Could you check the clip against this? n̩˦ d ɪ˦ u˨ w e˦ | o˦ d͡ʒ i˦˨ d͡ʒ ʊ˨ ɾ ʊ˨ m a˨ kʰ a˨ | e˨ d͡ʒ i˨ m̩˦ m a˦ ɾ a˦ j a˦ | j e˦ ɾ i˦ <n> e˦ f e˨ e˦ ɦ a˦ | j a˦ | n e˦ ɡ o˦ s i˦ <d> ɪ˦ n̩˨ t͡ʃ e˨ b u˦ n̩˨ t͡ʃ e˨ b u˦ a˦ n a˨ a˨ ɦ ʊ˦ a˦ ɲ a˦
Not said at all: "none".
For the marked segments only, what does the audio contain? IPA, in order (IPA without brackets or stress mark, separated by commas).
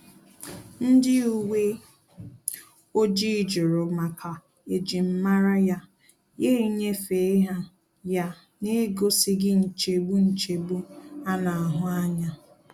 ɲ, ɡ